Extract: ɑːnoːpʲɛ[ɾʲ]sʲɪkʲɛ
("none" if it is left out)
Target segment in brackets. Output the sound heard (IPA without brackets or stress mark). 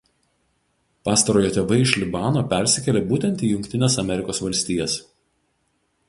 ɾʲ